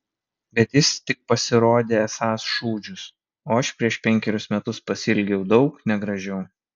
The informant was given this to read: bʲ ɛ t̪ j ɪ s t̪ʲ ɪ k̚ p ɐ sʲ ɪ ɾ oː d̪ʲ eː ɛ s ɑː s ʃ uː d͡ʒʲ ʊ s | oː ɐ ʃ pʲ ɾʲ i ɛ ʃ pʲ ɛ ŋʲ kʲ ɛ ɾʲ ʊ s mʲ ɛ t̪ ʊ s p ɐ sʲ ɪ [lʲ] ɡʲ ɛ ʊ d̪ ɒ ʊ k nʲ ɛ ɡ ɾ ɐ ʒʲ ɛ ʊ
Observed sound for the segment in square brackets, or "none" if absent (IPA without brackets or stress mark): lʲ